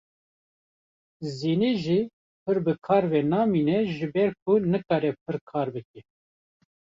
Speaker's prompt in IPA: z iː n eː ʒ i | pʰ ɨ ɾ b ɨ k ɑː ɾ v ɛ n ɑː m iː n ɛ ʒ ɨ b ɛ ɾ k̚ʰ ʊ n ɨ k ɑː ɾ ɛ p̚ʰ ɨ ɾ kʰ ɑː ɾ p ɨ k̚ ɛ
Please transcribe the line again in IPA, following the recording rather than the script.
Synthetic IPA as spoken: z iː n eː ʒ i | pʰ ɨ ɾ b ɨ kʰ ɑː ɾ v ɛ n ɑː m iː n ɛ ʒ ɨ b ɛ ɾ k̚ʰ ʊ n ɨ k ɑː ɾ ɛ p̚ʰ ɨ ɾ kʰ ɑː ɾ b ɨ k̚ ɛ